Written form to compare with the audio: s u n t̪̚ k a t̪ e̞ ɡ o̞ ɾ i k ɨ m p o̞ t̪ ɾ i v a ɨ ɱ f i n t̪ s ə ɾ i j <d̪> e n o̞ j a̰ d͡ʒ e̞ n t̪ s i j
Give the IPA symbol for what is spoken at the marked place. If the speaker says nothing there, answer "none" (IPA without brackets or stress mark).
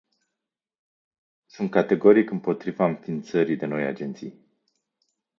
d̪